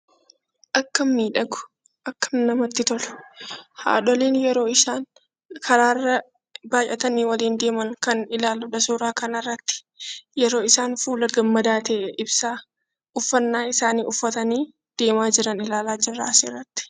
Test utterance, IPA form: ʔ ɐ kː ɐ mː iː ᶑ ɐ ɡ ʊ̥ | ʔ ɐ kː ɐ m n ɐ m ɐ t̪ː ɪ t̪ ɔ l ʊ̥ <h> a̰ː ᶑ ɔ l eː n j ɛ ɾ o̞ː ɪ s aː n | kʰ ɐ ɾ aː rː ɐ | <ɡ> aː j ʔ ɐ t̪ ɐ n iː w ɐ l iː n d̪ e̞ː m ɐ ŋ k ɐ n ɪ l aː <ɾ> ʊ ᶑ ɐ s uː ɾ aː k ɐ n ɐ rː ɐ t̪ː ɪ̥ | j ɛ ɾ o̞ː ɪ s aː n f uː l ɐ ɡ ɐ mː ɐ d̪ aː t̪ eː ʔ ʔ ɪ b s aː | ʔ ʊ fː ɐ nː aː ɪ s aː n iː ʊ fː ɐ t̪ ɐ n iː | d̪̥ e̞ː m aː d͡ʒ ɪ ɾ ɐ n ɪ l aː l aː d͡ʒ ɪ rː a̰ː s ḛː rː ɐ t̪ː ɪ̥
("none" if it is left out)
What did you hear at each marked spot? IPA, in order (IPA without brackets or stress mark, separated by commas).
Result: h, b, l